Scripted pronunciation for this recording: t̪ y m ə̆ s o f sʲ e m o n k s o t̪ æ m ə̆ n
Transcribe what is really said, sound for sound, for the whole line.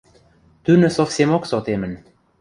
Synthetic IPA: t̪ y n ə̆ s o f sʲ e m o k s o t̪ e m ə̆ n